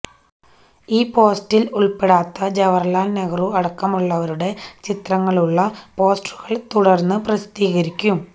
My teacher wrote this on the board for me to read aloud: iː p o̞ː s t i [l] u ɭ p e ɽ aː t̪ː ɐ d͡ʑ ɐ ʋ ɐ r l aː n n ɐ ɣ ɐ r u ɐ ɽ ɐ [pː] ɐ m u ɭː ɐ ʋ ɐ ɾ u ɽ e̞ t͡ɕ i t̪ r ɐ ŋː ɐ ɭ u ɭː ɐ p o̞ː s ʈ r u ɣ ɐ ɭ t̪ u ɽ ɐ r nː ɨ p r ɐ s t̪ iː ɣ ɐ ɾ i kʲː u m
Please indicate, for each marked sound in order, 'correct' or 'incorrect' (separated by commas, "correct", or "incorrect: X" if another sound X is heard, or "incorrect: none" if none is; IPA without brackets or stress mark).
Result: correct, incorrect: kː